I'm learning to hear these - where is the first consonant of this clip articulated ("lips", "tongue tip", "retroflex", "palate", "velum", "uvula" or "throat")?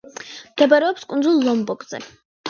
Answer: lips